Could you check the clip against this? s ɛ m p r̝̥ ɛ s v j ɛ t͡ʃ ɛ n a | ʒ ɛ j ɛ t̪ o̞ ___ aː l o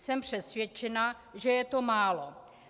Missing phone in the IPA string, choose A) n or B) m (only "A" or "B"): B